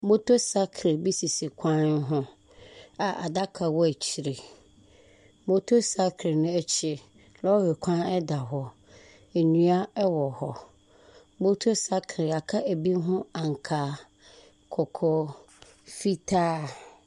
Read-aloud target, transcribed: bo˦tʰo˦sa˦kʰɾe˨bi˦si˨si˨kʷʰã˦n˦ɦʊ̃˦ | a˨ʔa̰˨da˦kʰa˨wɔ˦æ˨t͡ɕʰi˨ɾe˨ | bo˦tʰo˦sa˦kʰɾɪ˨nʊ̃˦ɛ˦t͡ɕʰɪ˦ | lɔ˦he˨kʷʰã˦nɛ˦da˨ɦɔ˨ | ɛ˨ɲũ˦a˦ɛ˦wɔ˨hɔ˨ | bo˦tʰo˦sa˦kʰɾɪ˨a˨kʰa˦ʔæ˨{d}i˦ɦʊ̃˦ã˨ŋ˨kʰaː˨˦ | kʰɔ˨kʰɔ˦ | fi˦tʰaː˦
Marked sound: incorrect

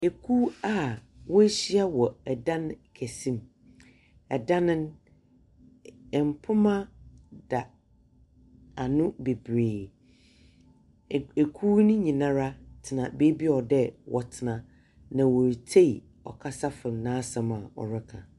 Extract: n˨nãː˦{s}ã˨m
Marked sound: correct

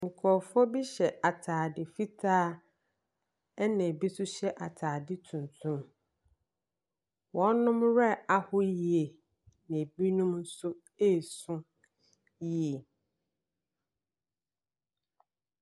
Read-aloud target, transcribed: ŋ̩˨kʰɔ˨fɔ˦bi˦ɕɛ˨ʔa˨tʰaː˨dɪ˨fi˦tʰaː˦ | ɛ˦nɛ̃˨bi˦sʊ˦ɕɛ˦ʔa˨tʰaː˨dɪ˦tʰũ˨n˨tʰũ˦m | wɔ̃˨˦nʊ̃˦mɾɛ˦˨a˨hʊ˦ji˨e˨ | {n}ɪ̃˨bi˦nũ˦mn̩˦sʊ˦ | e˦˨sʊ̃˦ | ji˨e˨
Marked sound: correct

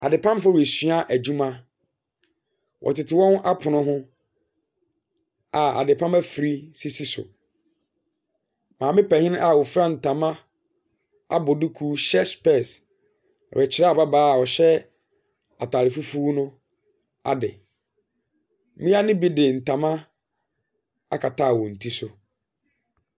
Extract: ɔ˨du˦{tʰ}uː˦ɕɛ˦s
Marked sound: incorrect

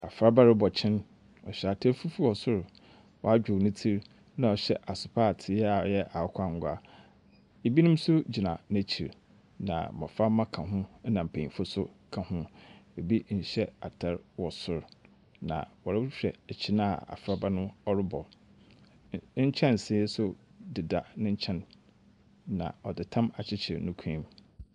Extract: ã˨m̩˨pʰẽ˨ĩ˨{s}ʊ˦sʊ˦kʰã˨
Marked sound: incorrect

